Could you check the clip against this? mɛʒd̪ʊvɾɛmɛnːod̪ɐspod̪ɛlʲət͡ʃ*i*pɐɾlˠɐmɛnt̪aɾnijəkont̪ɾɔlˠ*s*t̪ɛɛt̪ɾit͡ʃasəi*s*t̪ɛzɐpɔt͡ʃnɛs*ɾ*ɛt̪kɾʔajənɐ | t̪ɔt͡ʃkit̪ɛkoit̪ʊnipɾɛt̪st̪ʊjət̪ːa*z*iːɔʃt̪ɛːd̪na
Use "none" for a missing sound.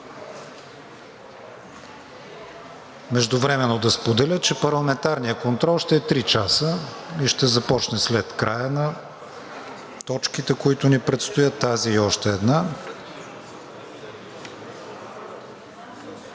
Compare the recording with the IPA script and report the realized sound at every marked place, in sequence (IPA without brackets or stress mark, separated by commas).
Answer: ɛ, ʃ, ʃ, l, z